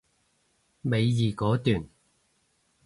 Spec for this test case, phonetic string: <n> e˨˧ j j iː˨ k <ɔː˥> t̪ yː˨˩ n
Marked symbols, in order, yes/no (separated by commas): no, no